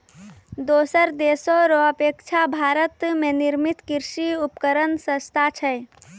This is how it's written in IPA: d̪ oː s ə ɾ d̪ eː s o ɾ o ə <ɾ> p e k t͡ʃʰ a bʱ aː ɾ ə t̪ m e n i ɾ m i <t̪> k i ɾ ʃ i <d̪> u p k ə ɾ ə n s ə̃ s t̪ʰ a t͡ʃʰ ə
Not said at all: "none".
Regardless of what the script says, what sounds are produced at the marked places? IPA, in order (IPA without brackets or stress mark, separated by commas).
none, t̪, none